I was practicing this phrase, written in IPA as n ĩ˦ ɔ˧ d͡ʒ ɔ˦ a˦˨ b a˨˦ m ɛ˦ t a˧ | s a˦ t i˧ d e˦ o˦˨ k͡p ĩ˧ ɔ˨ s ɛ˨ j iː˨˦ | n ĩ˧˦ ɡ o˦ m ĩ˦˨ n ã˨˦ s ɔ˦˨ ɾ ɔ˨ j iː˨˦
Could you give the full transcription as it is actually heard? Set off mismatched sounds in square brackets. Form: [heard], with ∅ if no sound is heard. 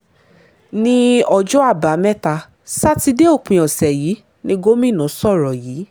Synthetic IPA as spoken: n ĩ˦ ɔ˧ d͡ʒ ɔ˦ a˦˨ b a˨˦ m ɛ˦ t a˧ | s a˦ t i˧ d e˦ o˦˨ k͡p ĩ˧ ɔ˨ s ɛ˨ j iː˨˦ | n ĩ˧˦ ɡ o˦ m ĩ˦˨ n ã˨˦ s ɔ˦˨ ɾ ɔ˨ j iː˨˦